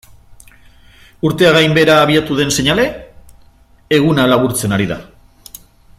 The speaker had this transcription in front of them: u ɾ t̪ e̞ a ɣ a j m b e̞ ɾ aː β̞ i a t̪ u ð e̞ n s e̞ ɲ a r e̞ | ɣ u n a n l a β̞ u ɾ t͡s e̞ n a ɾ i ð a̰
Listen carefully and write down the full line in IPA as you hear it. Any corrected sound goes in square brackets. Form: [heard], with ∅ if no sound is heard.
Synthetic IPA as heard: u ɾ t̪ e̞ a ɣ a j m b e̞ ɾ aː β̞ i a t̪ u ð e̞ n s e̞ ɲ a [l] e̞ | ɣ u n a [∅] l a β̞ u ɾ t͡s e̞ n a ɾ i ð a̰